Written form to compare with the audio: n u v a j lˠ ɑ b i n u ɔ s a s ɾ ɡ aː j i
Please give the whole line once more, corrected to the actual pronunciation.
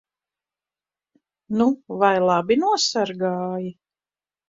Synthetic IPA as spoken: n u v a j lˠ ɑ b i n u ɔ s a ɾ ɡ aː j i